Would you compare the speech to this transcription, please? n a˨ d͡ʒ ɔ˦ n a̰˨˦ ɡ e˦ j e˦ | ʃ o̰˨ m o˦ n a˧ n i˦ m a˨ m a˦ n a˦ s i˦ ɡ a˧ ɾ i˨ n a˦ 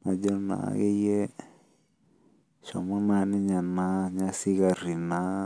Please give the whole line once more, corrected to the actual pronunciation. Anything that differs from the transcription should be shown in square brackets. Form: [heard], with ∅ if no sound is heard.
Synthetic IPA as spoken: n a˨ d͡ʒ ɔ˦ n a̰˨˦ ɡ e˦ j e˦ | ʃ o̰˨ m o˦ n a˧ n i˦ [ɲ] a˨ [n] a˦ [ɲ] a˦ s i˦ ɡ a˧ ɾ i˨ n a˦